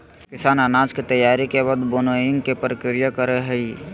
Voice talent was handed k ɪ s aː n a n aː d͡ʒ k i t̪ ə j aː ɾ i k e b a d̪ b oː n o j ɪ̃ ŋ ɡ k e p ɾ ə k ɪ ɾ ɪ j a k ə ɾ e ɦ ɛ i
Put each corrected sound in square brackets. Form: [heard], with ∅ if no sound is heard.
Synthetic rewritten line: k ɪ s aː n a n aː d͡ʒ k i t̪ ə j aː ɾ i k e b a d̪ b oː n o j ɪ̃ ŋ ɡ k e p ɾ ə k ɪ ɾ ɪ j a k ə ɾ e ɦ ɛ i